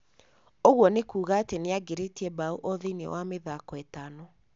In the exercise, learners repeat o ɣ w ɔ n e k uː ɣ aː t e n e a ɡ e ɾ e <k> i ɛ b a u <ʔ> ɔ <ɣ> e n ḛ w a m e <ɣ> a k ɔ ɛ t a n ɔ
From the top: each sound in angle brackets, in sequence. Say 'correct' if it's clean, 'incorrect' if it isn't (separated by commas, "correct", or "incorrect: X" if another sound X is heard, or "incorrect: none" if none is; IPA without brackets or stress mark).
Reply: incorrect: t, correct, incorrect: ð, incorrect: ð